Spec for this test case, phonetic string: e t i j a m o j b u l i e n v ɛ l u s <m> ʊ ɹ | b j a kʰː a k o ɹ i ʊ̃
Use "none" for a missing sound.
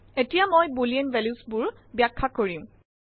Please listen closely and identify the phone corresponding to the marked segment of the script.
b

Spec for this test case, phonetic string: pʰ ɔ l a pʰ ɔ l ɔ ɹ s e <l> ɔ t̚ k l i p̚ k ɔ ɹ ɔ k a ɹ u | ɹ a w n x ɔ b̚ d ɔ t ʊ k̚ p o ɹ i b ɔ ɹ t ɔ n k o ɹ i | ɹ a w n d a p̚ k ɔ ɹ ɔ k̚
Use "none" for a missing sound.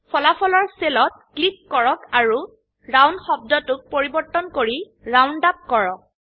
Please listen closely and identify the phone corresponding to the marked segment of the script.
l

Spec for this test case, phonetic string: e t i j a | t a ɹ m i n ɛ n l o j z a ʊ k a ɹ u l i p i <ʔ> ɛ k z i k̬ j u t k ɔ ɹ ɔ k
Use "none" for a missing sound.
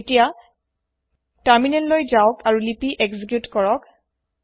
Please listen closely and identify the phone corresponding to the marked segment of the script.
ʔ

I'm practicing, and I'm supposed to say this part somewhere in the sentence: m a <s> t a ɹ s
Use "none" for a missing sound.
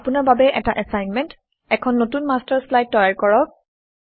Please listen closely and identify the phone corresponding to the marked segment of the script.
s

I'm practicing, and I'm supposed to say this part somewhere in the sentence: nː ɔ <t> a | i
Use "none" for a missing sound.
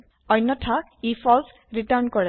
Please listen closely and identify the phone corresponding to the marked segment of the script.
tʰ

